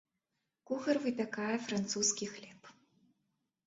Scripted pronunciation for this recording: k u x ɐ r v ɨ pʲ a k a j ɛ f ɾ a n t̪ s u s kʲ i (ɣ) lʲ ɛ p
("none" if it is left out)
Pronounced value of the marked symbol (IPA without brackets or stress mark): x